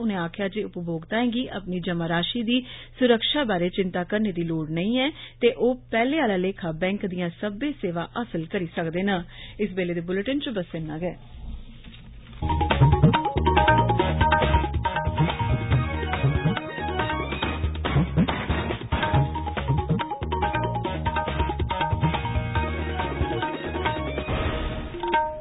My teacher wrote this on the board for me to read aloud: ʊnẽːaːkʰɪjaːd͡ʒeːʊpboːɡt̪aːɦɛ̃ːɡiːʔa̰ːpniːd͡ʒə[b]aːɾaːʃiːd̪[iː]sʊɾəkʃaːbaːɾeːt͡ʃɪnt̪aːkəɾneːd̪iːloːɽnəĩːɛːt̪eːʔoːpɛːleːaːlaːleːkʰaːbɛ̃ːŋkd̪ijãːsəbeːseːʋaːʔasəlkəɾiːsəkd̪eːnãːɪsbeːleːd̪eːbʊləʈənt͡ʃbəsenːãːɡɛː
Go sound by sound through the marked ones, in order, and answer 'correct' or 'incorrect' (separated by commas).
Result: incorrect, correct